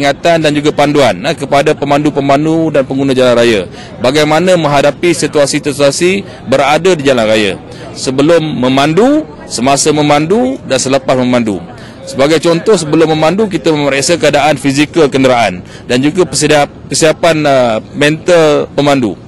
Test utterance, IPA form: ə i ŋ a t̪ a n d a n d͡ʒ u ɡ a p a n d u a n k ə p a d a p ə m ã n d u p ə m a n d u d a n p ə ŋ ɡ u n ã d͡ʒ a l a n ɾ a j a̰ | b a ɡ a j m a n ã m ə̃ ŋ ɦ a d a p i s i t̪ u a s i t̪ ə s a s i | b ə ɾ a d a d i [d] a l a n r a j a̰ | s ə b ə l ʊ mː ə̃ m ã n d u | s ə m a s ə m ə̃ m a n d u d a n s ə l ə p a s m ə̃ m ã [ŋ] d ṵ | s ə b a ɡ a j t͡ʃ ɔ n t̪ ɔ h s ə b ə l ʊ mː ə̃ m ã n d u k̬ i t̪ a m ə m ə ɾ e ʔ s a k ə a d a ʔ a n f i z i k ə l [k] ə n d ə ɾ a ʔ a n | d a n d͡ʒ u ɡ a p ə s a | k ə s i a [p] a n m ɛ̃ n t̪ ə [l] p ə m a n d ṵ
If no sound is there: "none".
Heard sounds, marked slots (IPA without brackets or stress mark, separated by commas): d͡ʒ, n, k, p, l